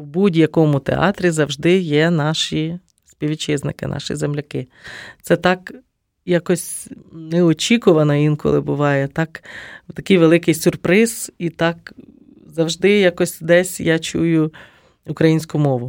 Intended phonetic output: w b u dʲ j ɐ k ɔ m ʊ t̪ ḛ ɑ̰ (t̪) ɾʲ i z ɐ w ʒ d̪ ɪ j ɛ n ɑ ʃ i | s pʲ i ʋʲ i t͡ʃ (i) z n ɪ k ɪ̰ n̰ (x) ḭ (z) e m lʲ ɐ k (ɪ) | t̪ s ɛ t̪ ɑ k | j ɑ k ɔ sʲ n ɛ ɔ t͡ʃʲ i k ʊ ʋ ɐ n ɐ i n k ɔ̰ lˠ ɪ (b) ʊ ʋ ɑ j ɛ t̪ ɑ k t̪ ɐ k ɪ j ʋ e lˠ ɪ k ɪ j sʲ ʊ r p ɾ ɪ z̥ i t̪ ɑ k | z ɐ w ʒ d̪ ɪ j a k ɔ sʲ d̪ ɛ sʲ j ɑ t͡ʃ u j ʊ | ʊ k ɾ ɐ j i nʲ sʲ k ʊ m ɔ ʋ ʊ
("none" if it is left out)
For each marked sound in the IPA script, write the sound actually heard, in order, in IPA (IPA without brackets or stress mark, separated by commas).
t̪, ɪ, ʃ, z, ɪ, b